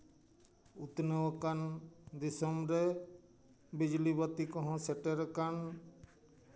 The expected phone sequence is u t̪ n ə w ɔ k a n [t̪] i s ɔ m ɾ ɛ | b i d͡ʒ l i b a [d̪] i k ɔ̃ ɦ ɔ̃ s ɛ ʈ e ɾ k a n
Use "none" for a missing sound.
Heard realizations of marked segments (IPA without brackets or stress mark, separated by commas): d̪, t̪